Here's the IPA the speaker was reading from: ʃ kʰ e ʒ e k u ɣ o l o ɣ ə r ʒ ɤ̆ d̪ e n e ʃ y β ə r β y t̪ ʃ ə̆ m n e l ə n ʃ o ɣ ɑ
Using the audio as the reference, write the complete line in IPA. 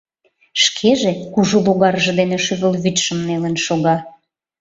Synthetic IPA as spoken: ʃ kʰ e ʒ e k u ʒ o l o ɣ ɑ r ʒ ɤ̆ d̪ e n e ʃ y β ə l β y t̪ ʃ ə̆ m n e l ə n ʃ o ɣ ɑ